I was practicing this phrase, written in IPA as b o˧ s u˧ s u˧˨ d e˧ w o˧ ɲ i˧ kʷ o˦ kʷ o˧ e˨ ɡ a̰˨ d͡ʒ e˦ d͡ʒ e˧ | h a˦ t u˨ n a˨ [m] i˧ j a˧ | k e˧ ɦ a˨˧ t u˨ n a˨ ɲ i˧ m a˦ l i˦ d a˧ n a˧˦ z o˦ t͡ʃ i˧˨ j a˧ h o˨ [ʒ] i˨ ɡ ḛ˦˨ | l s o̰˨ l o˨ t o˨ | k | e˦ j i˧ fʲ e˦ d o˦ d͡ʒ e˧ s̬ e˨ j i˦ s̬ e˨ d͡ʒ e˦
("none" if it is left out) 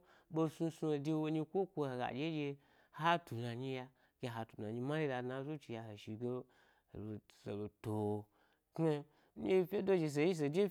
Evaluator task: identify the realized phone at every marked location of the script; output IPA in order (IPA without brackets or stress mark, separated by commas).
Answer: ɲ, ʃ